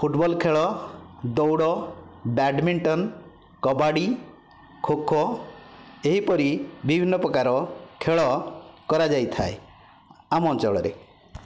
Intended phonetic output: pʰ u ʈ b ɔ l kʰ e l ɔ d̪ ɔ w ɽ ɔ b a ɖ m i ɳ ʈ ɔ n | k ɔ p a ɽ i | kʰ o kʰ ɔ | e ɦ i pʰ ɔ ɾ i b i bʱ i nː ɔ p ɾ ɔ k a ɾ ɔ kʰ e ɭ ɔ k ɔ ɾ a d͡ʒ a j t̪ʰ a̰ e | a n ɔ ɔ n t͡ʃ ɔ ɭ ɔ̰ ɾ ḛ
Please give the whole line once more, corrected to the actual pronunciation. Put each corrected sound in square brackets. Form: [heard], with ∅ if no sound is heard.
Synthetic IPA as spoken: pʰ u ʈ b ɔ l kʰ e [ɭ] ɔ d̪ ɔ w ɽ ɔ b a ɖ m i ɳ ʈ ɔ n | k ɔ [b] a ɽ i | kʰ o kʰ ɔ | e ɦ i [p] ɔ ɾ i b i bʱ i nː ɔ p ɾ ɔ k a ɾ ɔ kʰ e ɭ ɔ k ɔ ɾ a d͡ʒ a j t̪ʰ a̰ e | a [m] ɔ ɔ n t͡ʃ ɔ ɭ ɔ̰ ɾ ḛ

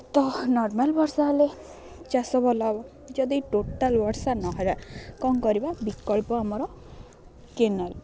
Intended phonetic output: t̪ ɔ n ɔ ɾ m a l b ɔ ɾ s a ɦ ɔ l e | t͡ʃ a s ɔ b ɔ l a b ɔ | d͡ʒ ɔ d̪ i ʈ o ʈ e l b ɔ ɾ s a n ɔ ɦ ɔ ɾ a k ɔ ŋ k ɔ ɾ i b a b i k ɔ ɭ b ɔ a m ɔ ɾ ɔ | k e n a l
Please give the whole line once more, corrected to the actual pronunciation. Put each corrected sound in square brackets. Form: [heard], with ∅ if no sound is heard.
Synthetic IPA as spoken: t̪ ɔ n ɔ ɾ m a l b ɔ ɾ s a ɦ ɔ l e | t͡ʃ a s ɔ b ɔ l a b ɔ | d͡ʒ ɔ d̪ i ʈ o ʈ [a] l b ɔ ɾ s a n ɔ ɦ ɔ ɾ a k ɔ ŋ k ɔ ɾ i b a b i k ɔ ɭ [p] ɔ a m ɔ ɾ ɔ | k e n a l

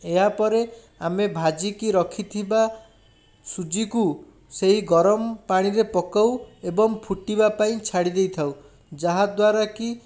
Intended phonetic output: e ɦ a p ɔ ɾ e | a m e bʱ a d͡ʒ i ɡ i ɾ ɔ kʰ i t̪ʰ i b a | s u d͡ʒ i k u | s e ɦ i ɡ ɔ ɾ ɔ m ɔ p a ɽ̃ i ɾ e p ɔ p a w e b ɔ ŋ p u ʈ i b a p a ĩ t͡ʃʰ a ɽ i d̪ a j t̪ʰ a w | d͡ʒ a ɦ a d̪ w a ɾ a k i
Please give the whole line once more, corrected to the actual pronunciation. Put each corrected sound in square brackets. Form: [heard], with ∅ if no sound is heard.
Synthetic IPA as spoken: e ɦ a p ɔ ɾ e | a m e bʱ a d͡ʒ i [k] i ɾ ɔ kʰ i t̪ʰ i b a | s u d͡ʒ i k u | s e ɦ i ɡ ɔ ɾ ɔ m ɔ p a ɽ̃ i ɾ e p ɔ [k] a w e b ɔ ŋ [pʰ] u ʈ i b a p a ĩ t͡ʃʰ a ɽ i d̪ [e] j t̪ʰ a w | d͡ʒ a ɦ a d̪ w a ɾ a k i

